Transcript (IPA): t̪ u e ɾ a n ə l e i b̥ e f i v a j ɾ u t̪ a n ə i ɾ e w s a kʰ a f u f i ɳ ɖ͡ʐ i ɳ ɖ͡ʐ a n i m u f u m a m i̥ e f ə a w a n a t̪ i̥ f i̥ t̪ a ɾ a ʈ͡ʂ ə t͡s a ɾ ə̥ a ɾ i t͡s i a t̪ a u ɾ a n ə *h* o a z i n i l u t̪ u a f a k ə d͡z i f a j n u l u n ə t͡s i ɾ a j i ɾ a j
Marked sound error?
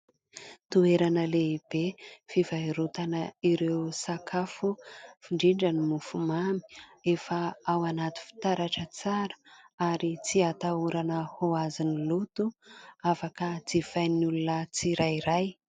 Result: no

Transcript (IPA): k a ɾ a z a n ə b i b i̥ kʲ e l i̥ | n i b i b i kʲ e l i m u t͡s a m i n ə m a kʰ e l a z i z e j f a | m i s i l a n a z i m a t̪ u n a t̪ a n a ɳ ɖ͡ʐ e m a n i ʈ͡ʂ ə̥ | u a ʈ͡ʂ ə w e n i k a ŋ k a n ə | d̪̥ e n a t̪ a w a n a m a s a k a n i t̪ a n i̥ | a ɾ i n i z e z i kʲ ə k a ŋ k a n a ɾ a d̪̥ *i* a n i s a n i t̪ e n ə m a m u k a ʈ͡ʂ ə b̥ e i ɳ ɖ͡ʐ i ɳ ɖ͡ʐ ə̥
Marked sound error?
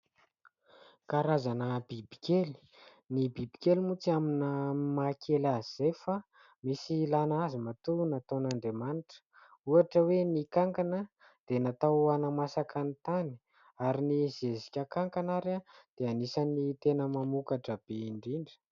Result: yes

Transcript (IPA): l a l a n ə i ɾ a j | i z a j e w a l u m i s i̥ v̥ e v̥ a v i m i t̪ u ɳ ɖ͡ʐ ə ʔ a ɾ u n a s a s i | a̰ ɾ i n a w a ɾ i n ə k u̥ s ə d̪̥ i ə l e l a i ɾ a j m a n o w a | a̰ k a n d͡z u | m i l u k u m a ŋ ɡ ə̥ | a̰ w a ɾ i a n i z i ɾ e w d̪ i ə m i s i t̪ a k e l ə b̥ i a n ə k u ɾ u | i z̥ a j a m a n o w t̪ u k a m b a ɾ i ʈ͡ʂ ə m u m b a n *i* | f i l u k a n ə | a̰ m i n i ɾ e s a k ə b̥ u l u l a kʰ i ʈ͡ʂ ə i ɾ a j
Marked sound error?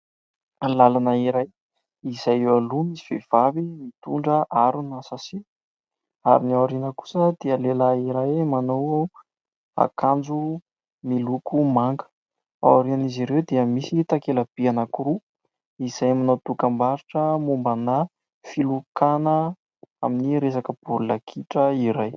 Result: yes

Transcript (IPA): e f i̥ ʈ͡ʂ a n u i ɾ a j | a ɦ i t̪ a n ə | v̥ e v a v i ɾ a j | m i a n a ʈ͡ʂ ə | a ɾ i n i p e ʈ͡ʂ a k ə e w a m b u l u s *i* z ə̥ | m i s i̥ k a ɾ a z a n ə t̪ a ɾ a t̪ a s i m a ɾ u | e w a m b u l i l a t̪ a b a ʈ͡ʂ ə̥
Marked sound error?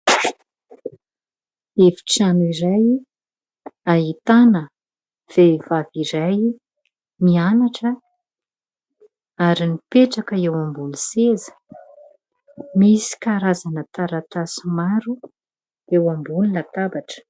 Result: yes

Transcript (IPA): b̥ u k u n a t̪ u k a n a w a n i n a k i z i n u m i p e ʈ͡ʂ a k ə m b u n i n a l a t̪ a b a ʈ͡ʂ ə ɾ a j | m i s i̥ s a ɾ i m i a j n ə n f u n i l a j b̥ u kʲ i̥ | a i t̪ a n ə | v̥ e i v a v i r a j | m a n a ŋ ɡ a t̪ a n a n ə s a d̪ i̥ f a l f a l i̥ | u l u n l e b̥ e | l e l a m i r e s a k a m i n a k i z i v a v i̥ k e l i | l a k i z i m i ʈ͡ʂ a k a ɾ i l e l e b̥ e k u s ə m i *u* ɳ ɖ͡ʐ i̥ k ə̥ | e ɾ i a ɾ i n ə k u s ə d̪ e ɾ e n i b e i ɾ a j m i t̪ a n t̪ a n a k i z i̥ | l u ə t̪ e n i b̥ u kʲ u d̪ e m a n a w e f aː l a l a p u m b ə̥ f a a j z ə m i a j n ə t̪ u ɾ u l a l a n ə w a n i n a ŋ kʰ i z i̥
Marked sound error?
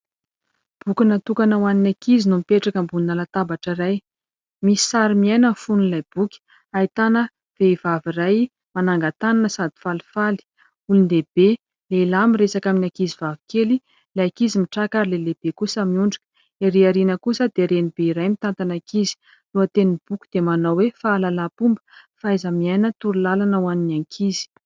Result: no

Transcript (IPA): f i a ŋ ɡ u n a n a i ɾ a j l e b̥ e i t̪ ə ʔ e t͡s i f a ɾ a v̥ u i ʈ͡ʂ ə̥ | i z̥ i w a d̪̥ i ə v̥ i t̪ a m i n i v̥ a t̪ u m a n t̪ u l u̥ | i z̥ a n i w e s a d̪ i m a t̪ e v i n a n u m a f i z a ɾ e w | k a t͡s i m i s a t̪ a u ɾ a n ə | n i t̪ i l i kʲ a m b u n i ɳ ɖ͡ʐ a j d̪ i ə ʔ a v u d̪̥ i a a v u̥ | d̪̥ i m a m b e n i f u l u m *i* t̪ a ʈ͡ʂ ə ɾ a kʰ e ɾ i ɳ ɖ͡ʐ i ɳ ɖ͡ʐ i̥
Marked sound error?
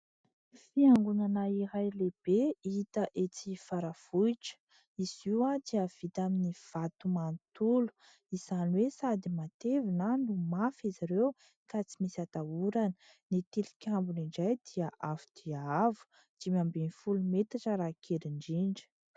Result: yes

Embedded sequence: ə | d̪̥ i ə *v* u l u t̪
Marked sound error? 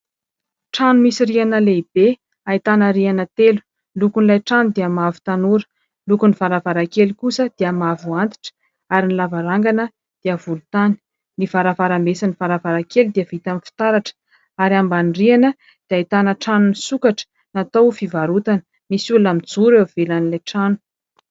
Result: no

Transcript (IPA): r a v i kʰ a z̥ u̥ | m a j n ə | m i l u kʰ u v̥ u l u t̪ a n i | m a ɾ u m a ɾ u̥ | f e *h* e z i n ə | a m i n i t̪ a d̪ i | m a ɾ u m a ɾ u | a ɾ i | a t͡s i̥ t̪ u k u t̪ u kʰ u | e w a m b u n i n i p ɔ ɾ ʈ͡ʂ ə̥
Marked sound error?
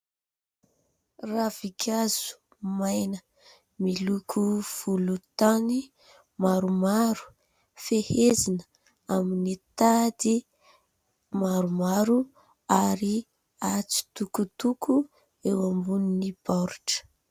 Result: no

